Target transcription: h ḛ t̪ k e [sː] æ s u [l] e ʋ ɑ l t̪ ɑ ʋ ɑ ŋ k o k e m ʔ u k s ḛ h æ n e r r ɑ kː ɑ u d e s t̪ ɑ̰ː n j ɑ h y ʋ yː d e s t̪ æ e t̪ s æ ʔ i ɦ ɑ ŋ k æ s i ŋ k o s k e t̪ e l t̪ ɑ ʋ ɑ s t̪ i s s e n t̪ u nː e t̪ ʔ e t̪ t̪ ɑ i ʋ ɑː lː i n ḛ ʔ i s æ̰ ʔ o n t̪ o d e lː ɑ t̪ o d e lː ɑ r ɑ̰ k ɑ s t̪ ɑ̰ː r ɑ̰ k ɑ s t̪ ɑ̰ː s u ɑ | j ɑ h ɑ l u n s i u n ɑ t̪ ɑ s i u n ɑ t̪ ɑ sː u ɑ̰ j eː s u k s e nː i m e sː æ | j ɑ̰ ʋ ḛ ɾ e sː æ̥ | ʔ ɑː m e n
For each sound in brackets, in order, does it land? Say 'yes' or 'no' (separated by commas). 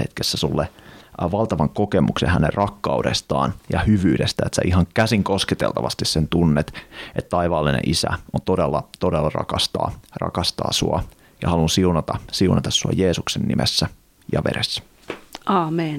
yes, no